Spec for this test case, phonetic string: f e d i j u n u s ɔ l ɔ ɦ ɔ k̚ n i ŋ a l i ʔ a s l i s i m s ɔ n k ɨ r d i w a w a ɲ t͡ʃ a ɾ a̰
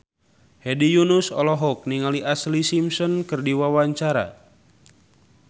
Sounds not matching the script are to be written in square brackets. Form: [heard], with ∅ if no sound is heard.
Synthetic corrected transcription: [h] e d i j u n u s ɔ l ɔ ɦ ɔ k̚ n i ŋ a l i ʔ a s l i s i m s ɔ n k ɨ r d i w a w a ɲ t͡ʃ a ɾ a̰